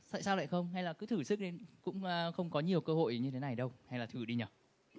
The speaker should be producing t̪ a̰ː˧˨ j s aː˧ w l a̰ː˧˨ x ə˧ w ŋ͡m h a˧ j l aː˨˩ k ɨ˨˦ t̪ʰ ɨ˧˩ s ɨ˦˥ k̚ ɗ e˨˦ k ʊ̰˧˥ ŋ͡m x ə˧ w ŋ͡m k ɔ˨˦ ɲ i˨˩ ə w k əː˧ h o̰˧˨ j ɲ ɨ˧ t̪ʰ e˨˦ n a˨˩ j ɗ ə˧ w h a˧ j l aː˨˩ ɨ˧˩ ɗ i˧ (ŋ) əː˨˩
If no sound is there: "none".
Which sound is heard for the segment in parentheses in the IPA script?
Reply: ɲ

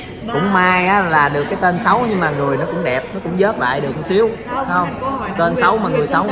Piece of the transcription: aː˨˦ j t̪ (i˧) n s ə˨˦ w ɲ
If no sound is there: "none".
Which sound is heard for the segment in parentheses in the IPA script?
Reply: e˧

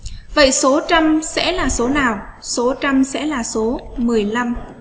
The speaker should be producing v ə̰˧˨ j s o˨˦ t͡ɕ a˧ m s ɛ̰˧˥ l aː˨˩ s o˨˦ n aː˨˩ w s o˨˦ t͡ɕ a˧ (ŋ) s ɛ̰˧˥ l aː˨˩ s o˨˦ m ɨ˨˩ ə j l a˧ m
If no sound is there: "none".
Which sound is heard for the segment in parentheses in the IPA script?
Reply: m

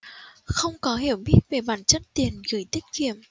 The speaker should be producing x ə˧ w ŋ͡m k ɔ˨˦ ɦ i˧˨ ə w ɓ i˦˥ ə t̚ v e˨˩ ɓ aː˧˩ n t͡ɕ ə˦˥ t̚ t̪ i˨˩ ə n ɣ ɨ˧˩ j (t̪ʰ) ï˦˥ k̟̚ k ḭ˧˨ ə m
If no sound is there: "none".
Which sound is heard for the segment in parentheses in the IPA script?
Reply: t̪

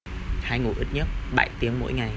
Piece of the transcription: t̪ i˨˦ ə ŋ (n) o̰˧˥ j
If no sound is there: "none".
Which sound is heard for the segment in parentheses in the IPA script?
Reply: m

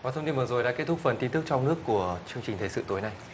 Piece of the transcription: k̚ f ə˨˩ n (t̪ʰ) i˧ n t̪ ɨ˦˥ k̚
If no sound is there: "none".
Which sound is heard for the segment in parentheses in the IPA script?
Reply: t̪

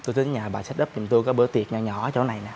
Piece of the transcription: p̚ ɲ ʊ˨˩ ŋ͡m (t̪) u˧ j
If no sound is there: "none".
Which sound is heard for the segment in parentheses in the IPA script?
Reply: t̪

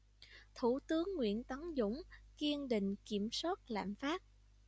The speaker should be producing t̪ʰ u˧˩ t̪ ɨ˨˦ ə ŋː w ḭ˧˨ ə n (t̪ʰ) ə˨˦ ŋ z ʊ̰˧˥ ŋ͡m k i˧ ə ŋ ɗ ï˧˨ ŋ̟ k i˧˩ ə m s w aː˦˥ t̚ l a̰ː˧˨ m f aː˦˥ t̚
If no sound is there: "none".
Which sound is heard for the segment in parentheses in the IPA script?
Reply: t̪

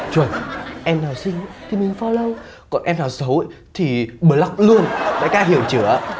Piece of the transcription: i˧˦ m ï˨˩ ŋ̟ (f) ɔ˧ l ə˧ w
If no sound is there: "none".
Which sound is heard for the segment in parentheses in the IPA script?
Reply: f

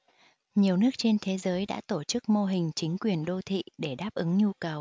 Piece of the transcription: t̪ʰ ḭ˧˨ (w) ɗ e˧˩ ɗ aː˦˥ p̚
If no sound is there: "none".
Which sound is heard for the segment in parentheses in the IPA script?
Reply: none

